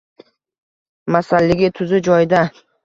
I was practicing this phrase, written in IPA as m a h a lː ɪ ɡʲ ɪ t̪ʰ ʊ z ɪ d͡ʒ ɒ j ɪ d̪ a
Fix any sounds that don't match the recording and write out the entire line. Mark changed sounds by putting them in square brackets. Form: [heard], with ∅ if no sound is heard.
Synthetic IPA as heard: m a [s] a lː ɪ ɡʲ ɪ t̪ʰ ʊ z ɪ d͡ʒ ɒ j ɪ d̪ a